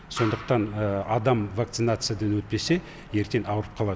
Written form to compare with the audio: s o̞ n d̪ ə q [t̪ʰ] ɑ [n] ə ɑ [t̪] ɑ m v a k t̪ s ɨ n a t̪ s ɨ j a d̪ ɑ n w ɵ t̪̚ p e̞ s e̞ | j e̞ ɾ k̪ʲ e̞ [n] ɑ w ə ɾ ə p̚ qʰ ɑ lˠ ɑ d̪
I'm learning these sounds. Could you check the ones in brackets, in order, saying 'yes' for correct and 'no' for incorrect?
no, yes, no, yes

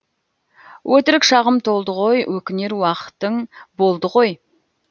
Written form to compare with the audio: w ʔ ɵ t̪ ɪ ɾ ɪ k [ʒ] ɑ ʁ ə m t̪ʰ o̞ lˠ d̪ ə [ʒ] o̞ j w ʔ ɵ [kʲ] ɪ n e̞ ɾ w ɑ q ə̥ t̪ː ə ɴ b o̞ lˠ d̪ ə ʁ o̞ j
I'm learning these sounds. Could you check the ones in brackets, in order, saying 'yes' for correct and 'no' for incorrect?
no, no, yes

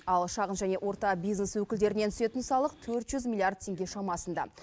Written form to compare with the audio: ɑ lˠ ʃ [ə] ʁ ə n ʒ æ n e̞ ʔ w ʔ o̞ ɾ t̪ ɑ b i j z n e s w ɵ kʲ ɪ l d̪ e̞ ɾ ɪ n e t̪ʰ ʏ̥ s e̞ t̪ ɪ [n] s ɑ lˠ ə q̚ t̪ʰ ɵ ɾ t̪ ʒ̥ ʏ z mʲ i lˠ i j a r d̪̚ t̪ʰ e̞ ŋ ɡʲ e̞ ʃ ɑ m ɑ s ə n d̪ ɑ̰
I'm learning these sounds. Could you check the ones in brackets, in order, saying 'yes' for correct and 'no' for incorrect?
no, yes

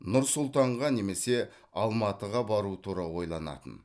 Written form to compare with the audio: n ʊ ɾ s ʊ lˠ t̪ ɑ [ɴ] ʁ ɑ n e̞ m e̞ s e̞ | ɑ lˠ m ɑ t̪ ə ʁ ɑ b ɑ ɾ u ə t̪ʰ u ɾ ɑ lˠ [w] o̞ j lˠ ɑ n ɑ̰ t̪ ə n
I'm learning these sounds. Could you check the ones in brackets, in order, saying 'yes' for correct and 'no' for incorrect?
yes, yes

